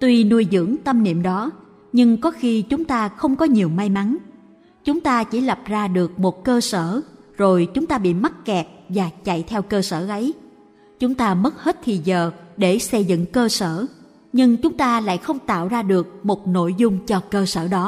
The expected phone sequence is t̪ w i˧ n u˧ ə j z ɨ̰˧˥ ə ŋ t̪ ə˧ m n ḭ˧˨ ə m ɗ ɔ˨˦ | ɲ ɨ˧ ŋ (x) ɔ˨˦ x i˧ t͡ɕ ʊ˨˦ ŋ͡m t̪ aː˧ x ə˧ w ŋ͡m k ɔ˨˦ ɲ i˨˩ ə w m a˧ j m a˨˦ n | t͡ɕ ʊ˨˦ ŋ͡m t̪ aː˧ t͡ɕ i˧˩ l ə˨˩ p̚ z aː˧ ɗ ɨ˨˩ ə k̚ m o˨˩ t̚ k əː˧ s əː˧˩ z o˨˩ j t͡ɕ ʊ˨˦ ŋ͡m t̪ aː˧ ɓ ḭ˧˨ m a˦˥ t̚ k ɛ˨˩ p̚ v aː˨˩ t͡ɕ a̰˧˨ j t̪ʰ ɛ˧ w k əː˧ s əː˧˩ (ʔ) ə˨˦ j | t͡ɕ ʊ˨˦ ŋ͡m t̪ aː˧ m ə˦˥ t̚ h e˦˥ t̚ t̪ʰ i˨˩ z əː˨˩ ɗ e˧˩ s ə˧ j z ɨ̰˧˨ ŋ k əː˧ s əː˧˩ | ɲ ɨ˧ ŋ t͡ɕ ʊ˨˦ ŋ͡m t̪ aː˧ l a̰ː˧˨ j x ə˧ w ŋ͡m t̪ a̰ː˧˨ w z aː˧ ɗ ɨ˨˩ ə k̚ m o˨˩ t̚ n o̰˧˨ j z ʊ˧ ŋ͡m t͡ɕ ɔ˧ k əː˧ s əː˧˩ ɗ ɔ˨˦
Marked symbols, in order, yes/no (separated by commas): no, yes